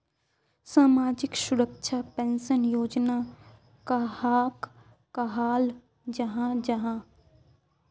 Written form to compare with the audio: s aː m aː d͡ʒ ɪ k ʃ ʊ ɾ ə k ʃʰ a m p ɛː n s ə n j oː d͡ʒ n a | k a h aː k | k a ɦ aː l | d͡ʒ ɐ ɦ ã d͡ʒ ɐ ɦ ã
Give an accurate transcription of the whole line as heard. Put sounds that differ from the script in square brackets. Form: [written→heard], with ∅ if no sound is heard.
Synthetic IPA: s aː m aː d͡ʒ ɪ k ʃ ʊ ɾ ə k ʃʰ a [m→∅] p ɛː n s ə n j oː d͡ʒ n a | k a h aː k | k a ɦ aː l | d͡ʒ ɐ ɦ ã d͡ʒ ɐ ɦ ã